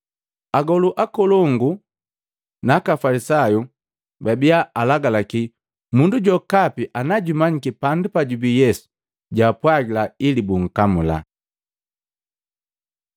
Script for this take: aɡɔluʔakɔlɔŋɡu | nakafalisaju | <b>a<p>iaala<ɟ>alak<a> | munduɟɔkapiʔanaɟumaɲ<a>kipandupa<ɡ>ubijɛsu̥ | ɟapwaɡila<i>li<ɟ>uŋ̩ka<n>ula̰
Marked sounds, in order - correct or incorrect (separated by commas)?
correct, incorrect, incorrect, incorrect, incorrect, incorrect, correct, incorrect, incorrect